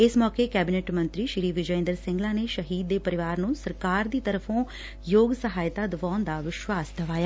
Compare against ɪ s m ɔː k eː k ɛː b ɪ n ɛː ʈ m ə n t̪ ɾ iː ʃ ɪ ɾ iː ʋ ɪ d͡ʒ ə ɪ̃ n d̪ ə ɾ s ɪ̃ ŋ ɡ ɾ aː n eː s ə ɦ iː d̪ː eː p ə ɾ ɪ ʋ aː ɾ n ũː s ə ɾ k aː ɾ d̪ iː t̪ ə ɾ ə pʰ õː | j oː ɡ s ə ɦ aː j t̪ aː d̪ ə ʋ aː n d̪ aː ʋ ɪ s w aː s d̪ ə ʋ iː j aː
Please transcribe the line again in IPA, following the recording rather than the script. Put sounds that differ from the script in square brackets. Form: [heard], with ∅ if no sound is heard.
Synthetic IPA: ɪ s m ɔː k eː k ɛː b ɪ n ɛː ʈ m ə n t̪ ɾ iː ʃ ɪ ɾ iː ʋ ɪ d͡ʒ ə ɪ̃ n d̪ ə ɾ s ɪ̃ ŋ ɡ [l] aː n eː [ʃ] ə ɦ iː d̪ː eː p ə ɾ ɪ ʋ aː ɾ n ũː s ə ɾ k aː ɾ d̪ iː t̪ ə ɾ ə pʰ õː | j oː ɡ s ə ɦ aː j t̪ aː d̪ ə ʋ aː n d̪ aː ʋ ɪ [ʃ] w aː s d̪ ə ʋ [aː] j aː